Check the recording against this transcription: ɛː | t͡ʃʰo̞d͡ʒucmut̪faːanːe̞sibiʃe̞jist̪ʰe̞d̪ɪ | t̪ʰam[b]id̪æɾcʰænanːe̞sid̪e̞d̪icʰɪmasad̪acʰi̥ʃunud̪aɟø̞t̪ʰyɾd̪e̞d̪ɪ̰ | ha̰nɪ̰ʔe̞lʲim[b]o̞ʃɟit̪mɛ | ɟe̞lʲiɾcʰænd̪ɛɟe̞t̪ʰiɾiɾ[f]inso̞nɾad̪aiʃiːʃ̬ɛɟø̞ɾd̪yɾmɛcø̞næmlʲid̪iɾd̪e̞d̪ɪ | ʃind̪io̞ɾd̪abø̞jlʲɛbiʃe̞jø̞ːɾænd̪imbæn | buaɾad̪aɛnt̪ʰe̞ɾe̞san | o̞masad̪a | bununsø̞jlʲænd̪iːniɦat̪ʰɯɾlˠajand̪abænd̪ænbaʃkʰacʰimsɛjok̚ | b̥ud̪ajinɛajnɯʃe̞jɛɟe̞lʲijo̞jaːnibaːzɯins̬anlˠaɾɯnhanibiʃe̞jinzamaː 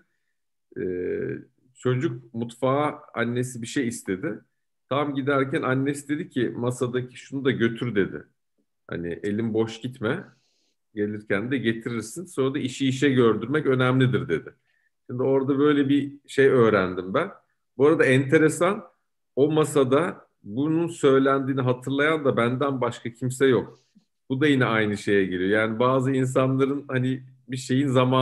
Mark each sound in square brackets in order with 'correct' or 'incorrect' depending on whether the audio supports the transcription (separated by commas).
incorrect, correct, incorrect